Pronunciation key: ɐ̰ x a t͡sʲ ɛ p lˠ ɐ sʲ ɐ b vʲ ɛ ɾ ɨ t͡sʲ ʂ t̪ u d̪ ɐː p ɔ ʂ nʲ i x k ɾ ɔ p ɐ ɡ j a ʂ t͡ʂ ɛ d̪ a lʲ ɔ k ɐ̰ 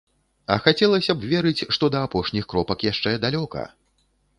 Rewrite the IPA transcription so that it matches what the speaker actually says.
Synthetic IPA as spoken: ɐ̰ x a t͡sʲ ɛ lˠ ɐ sʲ ɐ b vʲ ɛ ɾ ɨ t͡sʲ ʂ t̪ ɔ d̪ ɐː p ɔ ʂ nʲ i x k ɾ ɔ p ɐ k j a ʂ t͡ʂ ɛ d̪ a lʲ ɔ k ɐ̰